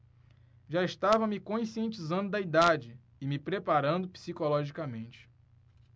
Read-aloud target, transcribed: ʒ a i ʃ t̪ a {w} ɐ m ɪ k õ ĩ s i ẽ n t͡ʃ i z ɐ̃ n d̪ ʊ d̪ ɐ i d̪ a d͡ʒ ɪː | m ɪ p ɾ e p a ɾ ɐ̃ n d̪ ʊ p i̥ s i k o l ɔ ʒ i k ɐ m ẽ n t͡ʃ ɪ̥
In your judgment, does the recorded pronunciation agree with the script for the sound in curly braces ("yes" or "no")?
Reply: no